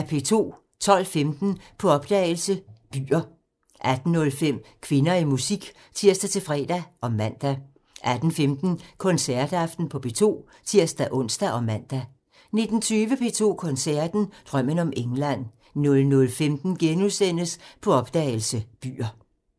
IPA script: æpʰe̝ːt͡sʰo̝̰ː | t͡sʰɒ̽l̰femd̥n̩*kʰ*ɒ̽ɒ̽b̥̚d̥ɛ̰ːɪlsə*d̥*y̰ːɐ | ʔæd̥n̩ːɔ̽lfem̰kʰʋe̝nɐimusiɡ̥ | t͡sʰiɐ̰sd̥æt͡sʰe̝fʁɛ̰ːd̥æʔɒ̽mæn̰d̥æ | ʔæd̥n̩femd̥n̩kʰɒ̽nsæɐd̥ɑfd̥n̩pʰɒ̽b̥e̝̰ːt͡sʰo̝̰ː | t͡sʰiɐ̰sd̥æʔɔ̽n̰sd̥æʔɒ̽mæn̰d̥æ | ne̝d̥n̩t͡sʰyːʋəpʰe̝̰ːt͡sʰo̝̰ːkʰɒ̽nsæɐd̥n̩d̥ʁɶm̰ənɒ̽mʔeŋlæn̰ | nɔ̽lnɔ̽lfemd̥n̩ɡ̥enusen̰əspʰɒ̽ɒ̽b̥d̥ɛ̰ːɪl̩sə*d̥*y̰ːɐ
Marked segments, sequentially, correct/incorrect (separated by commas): incorrect, incorrect, incorrect